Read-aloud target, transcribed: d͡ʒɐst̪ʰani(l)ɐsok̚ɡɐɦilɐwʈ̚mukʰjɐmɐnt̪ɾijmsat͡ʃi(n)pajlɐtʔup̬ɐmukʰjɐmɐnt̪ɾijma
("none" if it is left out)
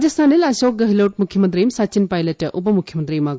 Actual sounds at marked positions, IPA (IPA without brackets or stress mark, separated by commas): l, n